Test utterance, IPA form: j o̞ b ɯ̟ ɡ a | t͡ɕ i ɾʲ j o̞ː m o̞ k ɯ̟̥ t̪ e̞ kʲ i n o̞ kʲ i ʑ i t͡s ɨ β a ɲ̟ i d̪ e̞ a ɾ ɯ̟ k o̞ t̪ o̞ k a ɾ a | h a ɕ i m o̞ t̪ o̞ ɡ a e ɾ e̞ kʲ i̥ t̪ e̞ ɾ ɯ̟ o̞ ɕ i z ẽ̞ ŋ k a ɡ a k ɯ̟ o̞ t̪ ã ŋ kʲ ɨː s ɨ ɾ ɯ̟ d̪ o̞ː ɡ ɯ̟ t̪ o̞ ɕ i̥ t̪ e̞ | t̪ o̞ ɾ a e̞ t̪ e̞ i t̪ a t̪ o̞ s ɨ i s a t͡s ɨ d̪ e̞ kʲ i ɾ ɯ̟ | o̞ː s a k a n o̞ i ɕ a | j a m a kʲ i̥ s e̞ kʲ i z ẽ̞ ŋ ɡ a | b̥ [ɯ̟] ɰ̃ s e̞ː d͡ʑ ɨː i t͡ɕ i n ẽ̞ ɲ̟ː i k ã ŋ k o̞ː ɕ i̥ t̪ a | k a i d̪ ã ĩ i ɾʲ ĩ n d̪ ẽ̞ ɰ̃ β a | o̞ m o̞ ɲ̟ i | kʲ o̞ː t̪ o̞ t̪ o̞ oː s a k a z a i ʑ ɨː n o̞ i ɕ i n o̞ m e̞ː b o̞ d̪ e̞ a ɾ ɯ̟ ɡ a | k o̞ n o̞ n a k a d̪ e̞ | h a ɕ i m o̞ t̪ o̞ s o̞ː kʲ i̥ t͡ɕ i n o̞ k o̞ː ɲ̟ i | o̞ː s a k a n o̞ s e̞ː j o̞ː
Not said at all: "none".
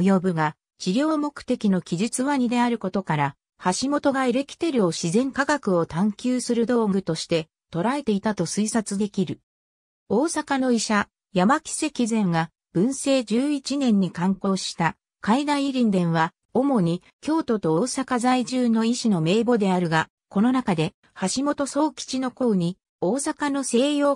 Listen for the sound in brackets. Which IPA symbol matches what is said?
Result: ɯ̟̃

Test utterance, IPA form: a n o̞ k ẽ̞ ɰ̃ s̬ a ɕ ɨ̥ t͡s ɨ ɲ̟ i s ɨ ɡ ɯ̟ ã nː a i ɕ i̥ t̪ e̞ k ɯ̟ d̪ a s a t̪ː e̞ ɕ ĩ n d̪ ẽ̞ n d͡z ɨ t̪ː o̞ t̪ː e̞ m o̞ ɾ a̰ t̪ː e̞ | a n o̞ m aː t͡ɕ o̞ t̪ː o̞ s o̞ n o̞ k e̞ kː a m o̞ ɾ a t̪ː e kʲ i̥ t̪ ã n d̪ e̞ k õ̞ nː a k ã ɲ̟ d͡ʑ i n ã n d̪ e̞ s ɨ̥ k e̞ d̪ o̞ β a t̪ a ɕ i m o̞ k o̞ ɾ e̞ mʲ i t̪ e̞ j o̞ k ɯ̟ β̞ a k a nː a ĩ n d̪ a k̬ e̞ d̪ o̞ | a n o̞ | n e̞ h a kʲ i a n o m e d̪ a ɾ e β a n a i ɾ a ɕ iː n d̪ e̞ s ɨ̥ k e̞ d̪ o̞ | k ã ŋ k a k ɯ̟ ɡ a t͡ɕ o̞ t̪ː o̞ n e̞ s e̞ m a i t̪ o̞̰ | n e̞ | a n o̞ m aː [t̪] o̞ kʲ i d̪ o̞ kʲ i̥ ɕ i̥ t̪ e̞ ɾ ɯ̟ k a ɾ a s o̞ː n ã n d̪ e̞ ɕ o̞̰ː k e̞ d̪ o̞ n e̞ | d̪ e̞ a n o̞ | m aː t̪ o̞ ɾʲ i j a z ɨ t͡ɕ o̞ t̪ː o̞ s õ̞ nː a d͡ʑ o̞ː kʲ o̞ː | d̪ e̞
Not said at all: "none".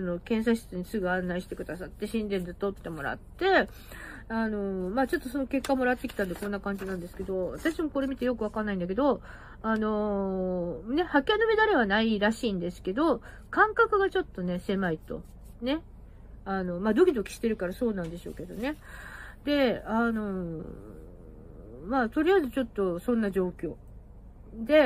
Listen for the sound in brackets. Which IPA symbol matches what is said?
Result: d̪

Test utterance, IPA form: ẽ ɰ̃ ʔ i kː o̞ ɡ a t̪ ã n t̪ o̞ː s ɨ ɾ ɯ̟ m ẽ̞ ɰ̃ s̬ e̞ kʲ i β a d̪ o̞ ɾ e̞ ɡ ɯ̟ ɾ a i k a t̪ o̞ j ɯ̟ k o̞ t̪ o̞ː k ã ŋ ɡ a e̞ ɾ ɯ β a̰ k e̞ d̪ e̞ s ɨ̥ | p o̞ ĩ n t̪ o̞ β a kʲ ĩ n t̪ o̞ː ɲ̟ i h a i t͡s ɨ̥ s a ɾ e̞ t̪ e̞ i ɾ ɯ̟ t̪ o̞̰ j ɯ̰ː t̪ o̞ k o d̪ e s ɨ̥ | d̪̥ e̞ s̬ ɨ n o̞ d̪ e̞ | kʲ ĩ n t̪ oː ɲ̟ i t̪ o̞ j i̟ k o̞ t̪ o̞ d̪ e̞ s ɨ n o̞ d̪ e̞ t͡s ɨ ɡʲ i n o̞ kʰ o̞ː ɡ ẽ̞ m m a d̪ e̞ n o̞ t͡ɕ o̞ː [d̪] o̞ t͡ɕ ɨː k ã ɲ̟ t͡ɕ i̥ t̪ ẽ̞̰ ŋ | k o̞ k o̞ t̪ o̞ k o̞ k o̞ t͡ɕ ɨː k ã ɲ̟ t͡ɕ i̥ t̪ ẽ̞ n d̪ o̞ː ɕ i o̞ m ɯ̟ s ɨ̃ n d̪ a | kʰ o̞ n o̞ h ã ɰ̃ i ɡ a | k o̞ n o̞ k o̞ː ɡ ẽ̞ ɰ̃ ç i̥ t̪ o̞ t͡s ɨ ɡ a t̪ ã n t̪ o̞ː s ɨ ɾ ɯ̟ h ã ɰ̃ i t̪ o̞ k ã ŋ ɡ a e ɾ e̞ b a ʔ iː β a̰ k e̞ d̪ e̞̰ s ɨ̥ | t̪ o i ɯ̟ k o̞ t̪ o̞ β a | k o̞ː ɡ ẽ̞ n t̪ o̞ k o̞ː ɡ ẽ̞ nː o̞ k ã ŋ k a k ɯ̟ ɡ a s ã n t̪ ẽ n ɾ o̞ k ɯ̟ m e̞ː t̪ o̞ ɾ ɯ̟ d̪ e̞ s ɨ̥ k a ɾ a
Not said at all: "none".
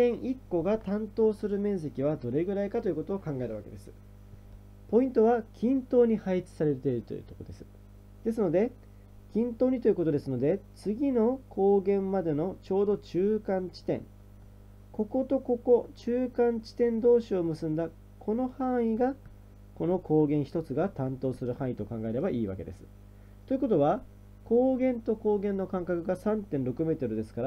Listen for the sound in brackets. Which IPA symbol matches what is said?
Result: d̪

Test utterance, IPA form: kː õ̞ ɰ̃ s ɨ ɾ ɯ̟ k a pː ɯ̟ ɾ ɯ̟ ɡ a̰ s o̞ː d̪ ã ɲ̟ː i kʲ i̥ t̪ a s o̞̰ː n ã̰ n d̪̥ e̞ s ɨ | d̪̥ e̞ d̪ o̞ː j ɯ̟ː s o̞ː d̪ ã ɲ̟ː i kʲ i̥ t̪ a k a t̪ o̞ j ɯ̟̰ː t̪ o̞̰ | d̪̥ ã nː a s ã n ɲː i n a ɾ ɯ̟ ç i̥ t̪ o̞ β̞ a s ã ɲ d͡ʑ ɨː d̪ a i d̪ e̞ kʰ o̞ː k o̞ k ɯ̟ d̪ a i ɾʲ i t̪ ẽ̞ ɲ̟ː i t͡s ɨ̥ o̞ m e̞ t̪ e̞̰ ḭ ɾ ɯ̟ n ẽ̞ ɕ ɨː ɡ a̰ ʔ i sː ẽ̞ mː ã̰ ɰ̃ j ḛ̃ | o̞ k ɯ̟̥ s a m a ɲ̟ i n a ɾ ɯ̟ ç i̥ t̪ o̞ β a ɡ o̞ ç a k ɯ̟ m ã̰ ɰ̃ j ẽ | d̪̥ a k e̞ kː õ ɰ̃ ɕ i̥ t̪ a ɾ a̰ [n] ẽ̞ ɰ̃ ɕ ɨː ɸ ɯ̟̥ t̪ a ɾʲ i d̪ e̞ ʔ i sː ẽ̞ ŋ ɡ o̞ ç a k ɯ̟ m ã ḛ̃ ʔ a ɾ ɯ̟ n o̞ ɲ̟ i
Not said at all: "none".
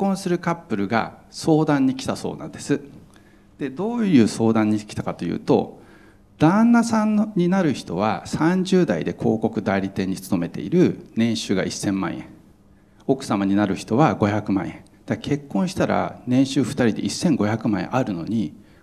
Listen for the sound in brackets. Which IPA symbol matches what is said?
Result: n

